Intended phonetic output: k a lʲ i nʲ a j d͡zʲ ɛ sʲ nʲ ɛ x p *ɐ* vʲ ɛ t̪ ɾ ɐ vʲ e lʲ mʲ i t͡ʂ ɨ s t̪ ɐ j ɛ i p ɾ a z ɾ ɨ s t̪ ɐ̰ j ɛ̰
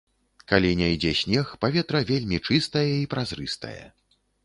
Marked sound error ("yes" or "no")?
yes